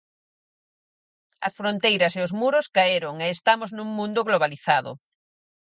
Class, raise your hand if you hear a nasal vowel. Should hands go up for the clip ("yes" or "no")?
yes